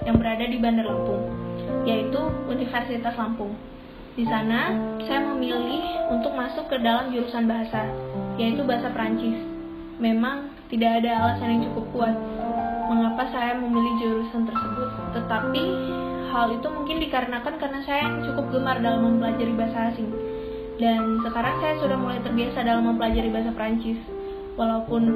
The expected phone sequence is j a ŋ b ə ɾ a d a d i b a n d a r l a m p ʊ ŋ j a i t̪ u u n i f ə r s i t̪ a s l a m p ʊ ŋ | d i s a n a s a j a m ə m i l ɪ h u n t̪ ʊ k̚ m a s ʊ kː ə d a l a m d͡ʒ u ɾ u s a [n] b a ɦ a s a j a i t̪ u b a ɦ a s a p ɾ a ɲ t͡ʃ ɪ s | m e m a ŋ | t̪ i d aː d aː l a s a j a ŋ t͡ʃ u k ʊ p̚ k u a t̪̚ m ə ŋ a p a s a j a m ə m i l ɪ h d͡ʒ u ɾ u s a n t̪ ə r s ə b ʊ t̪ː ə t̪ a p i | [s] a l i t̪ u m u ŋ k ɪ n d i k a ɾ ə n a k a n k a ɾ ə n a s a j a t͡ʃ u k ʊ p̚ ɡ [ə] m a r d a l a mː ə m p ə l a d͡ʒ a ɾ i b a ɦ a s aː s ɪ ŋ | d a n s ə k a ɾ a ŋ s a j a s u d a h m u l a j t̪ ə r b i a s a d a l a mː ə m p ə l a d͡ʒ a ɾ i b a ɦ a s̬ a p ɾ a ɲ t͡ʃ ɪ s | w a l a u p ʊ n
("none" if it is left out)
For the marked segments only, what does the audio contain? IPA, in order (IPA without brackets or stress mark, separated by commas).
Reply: n, h, ə